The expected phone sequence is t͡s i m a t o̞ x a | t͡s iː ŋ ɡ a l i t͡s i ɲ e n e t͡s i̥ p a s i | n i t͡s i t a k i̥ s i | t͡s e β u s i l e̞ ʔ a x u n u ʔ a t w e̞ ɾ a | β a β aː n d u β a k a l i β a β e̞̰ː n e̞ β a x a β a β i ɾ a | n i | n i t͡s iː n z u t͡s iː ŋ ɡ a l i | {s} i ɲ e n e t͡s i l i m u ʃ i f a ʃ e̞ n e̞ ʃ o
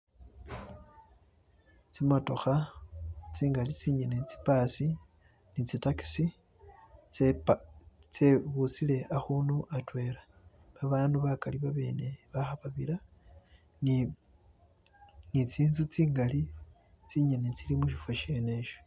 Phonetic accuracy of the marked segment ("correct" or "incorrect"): incorrect